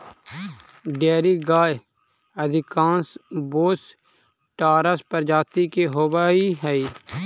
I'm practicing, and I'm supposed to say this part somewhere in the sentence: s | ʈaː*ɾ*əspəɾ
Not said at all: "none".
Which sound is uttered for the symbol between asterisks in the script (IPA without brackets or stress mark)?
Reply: ɾ